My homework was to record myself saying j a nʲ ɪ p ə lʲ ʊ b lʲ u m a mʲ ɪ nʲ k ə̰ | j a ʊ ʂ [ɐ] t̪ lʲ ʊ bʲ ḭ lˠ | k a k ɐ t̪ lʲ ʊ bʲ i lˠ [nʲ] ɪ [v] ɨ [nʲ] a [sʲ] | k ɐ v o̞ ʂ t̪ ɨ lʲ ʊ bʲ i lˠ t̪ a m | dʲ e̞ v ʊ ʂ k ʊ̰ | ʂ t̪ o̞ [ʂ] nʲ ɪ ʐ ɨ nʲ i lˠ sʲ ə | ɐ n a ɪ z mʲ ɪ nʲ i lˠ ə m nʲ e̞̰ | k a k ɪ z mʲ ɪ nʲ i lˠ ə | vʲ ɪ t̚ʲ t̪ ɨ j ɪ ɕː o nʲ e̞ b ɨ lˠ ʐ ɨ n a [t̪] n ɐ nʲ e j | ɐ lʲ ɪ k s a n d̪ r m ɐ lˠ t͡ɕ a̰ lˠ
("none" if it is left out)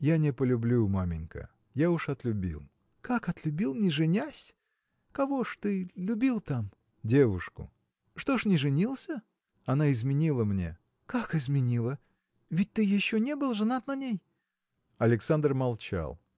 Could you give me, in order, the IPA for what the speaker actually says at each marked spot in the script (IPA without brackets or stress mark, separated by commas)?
ɐ, nʲ, ʐ, nʲ, sʲ, ʂ, t̪